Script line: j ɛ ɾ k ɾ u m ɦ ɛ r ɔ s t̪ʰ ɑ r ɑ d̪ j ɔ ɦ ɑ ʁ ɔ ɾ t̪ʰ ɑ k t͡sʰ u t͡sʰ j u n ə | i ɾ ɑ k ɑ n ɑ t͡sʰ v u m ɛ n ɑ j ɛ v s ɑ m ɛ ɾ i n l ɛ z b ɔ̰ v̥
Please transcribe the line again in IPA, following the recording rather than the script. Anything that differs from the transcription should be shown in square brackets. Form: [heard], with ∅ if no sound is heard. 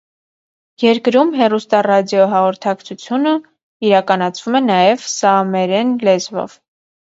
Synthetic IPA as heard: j ɛ ɾ k ɾ u m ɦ ɛ r [u] s [t̪] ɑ r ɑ d̪ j ɔ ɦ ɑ ʁ ɔ ɾ t̪ʰ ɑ k t͡sʰ u t͡sʰ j u n ə | i ɾ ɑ k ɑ n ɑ t͡sʰ v u m ɛ n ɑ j ɛ v s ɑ m ɛ ɾ [ɛ] n l ɛ z [v] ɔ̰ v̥